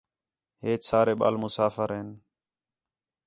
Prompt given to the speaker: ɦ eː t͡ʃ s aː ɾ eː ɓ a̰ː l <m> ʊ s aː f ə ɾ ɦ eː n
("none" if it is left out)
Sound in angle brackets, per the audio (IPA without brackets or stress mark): m